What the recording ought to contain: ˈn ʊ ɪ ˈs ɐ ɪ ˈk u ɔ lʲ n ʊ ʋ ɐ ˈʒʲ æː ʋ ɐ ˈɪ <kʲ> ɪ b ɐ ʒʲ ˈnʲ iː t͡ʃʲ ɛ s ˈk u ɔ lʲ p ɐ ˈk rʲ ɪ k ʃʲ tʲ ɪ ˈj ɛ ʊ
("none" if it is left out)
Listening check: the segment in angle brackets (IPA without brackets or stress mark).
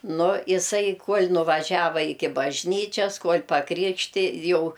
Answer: kʲ